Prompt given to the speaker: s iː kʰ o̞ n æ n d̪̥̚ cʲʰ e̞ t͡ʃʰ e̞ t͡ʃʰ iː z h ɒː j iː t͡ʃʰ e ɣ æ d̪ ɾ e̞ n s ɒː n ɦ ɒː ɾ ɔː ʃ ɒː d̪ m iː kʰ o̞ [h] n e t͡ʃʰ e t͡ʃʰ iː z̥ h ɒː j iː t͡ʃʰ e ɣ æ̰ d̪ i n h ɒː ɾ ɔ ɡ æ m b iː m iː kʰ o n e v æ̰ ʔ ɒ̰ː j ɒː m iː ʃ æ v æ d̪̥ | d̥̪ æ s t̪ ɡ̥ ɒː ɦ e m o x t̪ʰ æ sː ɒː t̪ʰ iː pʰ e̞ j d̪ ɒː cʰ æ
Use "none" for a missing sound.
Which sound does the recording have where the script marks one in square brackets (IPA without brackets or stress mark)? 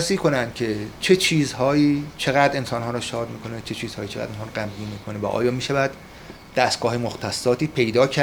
none